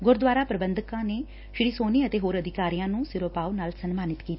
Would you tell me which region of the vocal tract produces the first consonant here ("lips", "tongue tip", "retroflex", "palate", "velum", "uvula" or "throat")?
velum